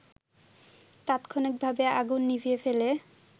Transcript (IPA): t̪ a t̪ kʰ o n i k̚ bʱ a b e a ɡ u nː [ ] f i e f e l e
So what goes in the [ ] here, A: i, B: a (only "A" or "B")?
A